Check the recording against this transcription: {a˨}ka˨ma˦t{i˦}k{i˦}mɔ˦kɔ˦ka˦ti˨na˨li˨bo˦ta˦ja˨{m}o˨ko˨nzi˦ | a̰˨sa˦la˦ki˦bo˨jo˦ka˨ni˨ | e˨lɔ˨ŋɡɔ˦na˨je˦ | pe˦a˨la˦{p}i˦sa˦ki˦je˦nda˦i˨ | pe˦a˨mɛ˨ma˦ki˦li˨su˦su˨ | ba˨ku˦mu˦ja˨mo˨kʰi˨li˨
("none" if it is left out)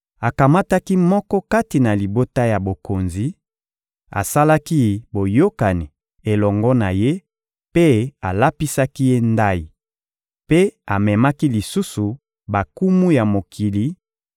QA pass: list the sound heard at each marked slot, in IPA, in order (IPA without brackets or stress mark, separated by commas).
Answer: a˨, a˦, i˦, b, p